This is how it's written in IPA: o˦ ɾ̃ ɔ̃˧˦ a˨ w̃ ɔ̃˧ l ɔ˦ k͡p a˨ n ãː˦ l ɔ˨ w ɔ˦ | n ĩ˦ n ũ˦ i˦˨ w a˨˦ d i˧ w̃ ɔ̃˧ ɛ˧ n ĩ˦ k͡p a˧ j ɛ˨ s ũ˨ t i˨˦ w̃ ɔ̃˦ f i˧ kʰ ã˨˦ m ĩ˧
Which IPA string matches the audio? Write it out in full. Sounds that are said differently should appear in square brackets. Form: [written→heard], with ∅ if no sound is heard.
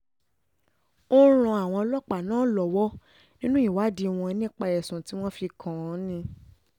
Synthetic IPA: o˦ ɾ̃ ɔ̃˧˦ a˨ w̃ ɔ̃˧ l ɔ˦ k͡p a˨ n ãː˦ l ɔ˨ w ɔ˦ | n ĩ˦ n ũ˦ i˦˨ w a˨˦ d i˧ w̃ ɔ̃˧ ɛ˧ n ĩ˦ k͡p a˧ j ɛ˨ s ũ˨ t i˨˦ w̃ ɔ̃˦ f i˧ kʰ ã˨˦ [m→n] ĩ˧